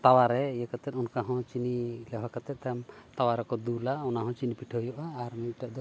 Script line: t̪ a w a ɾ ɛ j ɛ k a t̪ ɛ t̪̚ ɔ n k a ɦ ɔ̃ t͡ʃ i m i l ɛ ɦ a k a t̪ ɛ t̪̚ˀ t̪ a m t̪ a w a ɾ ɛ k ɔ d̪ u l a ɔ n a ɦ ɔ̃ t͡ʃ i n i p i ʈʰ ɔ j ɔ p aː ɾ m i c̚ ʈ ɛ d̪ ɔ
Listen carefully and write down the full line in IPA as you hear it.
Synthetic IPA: t̪ a w a ɾ ɛ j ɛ k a t̪ ɛ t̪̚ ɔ n k a ɦ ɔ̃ t͡ʃ i n i l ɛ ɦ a k a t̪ ɛ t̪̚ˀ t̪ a m t̪ a w a ɾ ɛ k ɔ d̪ u l a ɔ n a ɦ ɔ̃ t͡ʃ i n i p i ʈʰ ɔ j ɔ ʔ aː ɾ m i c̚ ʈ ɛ d̪ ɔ